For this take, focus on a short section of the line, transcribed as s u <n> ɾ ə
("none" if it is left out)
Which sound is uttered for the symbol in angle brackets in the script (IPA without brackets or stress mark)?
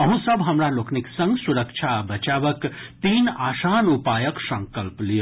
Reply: none